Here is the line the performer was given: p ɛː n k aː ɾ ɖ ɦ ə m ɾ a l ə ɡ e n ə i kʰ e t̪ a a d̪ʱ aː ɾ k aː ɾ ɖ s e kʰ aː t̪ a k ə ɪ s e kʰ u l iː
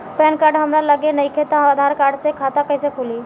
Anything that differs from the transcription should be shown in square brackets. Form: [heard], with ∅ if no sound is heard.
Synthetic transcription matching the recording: p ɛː n k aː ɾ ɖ ɦ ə m ɾ a l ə ɡ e n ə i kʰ e t̪ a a d̪ʱ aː ɾ k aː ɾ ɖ s e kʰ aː t̪ a k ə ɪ s e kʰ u l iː